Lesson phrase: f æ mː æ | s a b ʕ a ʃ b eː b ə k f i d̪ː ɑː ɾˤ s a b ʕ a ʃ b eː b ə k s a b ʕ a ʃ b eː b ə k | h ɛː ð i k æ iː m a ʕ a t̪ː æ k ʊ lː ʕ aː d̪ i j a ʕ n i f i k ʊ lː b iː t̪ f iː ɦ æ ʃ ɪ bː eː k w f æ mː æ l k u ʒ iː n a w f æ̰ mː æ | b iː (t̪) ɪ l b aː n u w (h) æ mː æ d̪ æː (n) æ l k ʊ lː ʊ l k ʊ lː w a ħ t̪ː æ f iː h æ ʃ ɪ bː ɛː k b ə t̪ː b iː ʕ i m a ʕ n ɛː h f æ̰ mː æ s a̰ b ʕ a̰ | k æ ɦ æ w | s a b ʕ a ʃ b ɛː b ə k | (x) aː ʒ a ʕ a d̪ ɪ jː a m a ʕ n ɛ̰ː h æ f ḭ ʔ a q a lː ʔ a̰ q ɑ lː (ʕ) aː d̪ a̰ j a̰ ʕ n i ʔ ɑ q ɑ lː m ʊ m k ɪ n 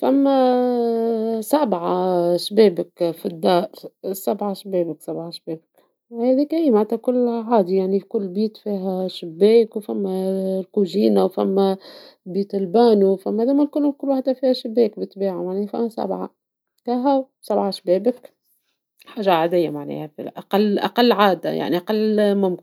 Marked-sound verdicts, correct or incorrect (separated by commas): correct, incorrect, incorrect, incorrect, correct